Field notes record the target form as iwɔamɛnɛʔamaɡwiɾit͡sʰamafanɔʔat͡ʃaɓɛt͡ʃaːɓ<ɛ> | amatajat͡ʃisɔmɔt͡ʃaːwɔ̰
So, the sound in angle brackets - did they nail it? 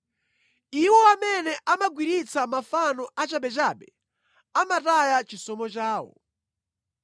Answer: yes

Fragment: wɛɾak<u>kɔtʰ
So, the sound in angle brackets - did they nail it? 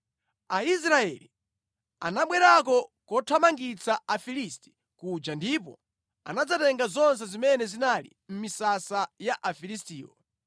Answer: no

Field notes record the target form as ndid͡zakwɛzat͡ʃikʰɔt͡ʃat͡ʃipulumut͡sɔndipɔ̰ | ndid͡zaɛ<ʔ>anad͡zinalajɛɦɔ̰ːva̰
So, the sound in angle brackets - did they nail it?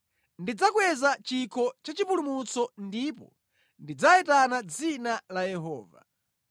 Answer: no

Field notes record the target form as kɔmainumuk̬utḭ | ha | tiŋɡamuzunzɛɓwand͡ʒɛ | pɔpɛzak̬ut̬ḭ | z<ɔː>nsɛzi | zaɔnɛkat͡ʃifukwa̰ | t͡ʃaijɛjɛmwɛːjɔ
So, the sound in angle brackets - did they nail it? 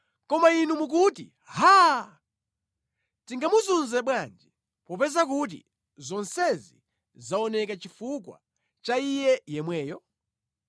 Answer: no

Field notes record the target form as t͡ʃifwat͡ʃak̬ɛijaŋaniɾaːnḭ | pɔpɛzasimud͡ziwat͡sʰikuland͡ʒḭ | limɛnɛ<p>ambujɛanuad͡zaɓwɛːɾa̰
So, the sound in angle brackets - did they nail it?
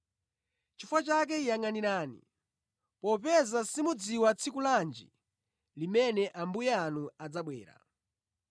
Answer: no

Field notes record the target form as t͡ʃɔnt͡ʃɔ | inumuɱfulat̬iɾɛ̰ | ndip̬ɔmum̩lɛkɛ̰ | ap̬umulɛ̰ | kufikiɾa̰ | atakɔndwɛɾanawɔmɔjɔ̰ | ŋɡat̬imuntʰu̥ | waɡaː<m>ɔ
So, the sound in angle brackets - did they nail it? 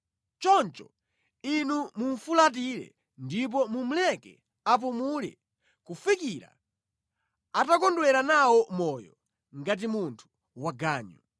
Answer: no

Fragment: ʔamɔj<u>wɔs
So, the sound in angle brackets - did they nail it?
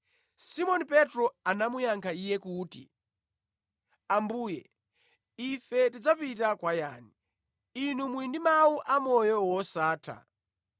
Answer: no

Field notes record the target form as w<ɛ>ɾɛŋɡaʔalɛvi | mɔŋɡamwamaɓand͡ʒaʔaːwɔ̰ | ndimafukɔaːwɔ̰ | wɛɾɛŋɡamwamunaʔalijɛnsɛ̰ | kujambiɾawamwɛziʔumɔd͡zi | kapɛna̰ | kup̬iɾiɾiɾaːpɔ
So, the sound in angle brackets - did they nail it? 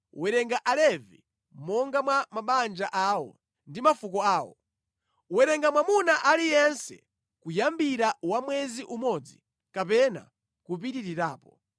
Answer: yes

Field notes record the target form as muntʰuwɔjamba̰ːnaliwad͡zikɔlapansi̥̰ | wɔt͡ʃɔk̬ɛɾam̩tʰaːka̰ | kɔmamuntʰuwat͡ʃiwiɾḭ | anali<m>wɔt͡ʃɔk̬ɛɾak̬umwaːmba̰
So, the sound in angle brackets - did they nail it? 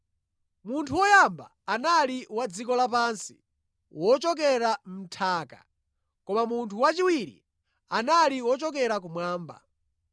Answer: no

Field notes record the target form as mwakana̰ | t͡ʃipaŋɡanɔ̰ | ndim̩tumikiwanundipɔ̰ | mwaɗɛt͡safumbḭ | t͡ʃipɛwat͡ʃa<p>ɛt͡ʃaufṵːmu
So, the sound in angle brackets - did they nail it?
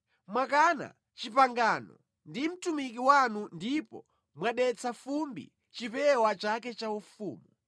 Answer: no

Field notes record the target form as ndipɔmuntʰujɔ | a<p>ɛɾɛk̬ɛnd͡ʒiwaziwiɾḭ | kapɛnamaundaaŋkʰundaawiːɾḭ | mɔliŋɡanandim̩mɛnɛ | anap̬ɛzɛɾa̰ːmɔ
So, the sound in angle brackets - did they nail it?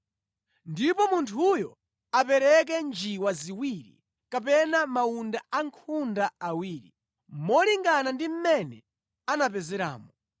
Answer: yes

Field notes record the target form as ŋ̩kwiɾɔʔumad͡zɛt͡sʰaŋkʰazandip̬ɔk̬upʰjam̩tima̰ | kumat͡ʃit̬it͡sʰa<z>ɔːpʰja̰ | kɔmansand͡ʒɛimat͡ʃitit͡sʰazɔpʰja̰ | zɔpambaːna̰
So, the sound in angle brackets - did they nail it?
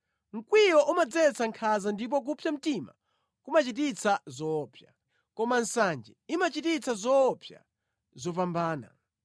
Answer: yes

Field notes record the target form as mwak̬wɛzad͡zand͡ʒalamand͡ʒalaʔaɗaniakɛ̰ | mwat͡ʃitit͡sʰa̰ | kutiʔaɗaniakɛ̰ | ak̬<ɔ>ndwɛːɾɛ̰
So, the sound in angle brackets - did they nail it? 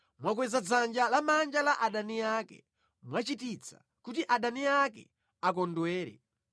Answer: yes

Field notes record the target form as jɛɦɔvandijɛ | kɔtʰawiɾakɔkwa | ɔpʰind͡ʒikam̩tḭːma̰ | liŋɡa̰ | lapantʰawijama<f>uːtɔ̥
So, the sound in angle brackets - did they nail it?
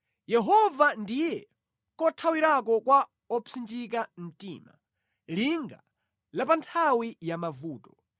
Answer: no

